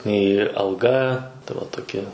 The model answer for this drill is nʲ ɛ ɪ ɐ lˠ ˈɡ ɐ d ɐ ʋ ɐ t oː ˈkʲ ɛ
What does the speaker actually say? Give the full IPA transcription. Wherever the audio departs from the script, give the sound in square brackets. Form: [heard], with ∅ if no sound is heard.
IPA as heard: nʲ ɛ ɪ ɐ lˠ ˈɡ ɐ [t] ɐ ʋ ɐ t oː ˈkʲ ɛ